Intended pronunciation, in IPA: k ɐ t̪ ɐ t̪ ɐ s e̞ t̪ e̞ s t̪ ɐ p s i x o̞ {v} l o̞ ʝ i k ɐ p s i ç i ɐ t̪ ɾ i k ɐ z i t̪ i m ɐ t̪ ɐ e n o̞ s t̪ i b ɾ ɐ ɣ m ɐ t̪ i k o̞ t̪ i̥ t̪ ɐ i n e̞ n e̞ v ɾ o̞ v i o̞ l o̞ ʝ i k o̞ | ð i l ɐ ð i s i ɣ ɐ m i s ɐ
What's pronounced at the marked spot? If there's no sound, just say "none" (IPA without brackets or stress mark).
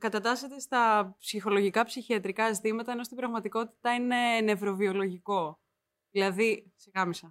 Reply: none